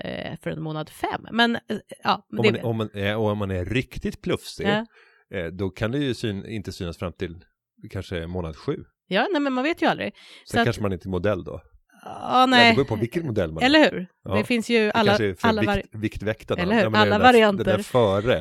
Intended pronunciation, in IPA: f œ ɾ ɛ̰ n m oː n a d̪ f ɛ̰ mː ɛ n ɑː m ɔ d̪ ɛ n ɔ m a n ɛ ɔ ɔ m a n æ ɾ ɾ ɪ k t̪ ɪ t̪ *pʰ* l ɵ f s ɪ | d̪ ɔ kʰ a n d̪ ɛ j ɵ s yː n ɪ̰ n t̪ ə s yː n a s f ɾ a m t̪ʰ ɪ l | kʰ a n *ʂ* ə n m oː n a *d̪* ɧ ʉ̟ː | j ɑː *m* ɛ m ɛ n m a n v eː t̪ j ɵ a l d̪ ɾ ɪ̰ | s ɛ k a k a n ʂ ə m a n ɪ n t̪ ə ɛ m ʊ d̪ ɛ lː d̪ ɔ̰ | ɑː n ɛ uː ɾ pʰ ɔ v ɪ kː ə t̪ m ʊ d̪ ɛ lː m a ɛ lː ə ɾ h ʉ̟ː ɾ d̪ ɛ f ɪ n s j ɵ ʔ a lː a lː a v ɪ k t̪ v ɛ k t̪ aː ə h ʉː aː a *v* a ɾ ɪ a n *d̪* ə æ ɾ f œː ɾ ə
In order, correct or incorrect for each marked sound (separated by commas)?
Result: correct, correct, correct, incorrect, correct, incorrect